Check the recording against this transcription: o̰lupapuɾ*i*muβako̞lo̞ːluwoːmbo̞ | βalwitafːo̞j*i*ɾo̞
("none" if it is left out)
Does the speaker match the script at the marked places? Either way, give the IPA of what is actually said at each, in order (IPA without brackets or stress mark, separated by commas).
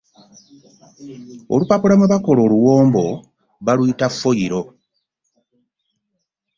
a, i